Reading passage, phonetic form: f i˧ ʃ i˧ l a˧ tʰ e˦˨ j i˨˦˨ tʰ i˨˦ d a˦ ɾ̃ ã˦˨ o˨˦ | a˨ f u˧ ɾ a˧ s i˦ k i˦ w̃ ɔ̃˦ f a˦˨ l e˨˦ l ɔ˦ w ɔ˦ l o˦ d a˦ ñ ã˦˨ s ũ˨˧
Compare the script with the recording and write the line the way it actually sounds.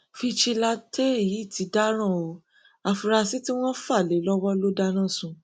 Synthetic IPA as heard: f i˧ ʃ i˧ l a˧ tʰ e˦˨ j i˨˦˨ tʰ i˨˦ d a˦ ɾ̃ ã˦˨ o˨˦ | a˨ f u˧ ɾ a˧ s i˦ t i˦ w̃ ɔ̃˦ f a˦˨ l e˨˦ l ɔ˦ w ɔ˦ l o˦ d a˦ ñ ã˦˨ s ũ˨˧